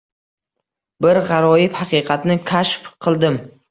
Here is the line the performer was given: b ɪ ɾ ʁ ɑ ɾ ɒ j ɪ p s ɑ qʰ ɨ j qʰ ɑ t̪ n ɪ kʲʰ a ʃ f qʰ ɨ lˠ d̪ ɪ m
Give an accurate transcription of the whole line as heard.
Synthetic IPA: b ɪ ɾ ʁ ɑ ɾ ɒ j ɪ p h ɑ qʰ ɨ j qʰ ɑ t̪ n ɪ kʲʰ a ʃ f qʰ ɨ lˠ d̪ ɪ m